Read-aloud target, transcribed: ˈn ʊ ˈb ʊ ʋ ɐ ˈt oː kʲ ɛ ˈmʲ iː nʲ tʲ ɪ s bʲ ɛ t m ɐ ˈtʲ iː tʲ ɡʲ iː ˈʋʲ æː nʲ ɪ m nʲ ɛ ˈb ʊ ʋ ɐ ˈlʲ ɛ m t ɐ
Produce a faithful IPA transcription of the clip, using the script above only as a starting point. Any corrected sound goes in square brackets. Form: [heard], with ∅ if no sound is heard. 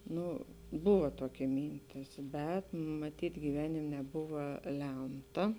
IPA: ˈn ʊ ˈb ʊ ʋ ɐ ˈt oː kʲ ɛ ˈmʲ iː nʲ tʲ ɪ s bʲ ɛ t m ɐ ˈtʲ iː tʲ ɡʲ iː ˈʋʲ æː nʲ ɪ m nʲ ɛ ˈb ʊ ʋ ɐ ˈlʲ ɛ m t ɐ